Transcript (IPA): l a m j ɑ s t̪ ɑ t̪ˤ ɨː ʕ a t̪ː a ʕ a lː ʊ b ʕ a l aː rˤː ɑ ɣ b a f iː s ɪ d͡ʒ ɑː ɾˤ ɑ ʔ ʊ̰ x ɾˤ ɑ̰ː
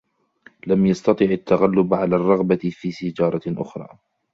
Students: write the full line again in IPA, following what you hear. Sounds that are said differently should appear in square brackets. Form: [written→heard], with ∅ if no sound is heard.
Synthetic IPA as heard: l a m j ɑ s t̪ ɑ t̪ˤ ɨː ʕ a t̪ː a [ʕ→ɣ] a lː ʊ b ʕ a l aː rˤː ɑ ɣ b a f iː s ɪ d͡ʒ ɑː ɾˤ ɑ ʔ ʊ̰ x ɾˤ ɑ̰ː